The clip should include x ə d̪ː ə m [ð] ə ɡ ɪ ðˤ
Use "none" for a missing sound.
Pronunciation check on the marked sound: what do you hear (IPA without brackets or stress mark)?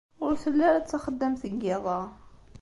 θ